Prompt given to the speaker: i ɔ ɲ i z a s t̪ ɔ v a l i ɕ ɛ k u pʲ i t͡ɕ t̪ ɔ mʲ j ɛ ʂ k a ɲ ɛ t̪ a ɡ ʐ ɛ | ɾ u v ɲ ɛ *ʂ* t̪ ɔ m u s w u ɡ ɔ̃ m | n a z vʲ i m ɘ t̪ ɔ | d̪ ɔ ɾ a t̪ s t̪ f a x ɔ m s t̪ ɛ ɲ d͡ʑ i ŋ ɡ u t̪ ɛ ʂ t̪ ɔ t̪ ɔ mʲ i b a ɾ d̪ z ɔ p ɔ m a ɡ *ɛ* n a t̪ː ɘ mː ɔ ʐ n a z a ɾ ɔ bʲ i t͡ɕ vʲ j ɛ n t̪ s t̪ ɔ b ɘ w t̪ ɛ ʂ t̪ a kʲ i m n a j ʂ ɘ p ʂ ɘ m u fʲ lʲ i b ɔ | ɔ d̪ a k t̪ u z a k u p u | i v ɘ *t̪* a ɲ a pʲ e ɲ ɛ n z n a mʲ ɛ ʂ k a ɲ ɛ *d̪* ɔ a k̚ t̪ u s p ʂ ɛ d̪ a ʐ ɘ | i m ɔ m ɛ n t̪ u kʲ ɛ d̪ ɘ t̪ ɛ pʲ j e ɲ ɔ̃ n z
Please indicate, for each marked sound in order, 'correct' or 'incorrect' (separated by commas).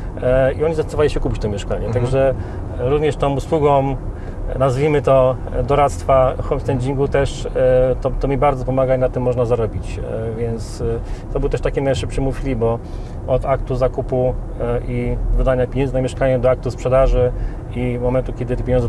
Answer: correct, incorrect, incorrect, correct